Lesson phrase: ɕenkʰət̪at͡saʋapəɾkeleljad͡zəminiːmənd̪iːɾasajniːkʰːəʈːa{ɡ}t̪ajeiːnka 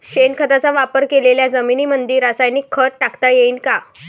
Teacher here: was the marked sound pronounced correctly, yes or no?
no